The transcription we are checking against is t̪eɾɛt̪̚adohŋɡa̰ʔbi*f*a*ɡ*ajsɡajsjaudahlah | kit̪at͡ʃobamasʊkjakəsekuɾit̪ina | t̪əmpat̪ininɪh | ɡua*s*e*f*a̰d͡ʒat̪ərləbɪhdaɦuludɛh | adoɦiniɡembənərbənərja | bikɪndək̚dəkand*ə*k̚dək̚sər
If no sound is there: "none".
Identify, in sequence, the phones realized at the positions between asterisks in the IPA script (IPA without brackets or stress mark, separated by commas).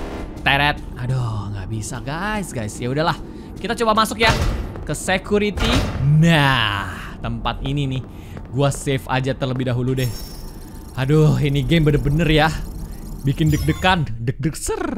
s, ɡ, s, f, ə